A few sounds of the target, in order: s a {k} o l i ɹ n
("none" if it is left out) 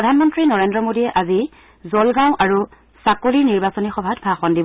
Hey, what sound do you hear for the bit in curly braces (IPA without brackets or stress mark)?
k